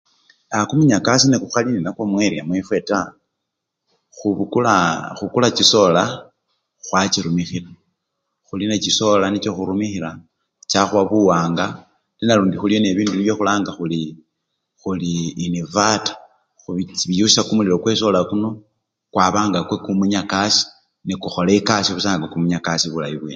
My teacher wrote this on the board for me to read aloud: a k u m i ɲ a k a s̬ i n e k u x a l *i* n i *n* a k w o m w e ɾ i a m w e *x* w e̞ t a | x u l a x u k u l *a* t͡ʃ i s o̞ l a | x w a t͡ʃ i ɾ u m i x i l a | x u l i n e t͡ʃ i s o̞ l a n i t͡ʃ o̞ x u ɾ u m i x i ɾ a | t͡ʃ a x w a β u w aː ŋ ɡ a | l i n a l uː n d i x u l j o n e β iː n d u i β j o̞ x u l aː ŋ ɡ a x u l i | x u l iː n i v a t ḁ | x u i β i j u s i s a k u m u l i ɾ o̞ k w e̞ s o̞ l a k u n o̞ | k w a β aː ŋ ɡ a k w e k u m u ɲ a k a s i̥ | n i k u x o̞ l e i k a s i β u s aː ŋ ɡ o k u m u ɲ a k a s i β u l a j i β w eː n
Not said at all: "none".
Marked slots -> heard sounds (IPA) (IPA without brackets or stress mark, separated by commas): i, n, f, a